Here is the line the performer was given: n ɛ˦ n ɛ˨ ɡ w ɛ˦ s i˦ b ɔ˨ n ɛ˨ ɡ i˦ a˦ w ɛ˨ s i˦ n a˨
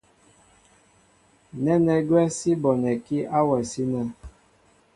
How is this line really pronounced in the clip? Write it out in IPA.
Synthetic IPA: n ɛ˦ n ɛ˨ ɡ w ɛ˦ s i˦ b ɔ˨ n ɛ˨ k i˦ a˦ w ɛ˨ s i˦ n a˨